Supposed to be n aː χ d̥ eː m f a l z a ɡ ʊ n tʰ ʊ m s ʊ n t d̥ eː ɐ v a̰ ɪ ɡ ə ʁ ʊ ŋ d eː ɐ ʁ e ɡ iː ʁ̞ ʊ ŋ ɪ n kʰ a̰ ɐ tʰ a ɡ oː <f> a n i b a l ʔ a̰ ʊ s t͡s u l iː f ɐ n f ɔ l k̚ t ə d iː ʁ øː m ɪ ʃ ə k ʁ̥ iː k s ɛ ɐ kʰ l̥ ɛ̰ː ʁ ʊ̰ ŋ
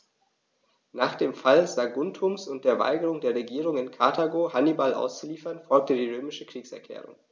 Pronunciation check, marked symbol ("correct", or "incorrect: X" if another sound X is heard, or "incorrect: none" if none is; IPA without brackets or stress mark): incorrect: h